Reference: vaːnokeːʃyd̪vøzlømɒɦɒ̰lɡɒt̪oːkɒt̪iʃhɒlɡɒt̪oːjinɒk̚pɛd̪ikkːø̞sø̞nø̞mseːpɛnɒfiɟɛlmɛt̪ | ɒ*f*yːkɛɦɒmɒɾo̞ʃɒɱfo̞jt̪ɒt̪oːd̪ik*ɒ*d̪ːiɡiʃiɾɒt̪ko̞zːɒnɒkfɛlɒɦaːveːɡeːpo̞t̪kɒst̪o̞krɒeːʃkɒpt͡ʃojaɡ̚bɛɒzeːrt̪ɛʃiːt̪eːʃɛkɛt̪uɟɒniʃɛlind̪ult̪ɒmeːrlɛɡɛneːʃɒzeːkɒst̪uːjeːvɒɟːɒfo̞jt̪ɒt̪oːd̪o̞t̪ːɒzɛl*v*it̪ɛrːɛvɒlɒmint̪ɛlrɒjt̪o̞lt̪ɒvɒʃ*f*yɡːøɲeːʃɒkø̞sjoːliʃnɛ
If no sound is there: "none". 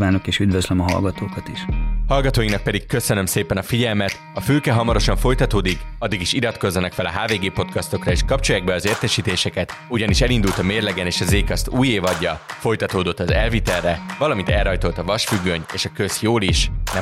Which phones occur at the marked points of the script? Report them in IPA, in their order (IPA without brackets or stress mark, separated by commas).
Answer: f, ɒ, v, f